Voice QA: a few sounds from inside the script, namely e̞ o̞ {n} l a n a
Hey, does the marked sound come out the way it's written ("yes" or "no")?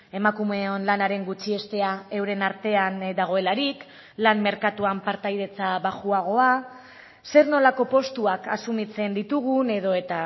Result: yes